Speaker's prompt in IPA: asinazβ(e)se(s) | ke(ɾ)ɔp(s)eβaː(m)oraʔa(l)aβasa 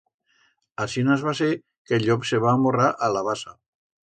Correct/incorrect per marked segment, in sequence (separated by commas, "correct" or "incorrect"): incorrect, incorrect, incorrect, correct, correct, correct